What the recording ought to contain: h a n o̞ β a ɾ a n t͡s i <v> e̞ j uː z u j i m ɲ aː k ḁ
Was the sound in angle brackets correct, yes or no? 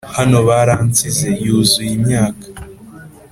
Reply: no